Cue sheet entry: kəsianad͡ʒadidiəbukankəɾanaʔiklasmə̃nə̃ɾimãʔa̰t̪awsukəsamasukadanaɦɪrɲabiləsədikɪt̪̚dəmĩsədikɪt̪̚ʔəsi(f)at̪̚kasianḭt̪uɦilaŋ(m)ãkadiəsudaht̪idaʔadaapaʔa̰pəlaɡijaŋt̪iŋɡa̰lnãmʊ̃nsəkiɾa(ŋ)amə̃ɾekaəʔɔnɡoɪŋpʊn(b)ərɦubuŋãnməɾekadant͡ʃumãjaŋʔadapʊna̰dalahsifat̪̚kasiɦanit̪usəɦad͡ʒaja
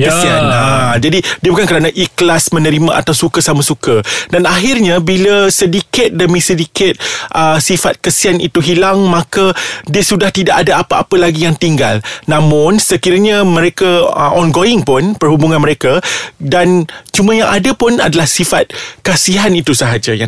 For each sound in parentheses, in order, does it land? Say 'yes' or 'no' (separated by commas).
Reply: yes, yes, no, no